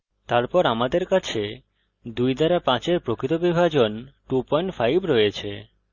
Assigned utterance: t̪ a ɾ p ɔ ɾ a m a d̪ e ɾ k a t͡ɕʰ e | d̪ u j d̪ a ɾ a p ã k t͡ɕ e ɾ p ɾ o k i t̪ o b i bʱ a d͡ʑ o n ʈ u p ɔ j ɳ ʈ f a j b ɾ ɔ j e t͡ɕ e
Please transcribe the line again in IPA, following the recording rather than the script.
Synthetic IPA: t̪ a ɾ p ɔ ɾ a m a d̪ e ɾ k a t͡ɕʰ e | d̪ u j d̪ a ɾ a p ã t͡ɕ e ɾ p ɾ o k i t̪ o b i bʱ a d͡ʑ o n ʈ u p ɔ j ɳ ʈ f a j b ɾ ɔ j e t͡ɕʰ e